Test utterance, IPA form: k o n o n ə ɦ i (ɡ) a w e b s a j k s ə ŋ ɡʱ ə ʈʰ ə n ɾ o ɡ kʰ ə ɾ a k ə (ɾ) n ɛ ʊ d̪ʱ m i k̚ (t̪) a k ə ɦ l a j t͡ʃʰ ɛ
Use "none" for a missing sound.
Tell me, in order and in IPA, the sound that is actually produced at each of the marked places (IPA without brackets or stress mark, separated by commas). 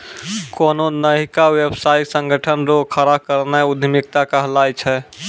k, ɾ, t̪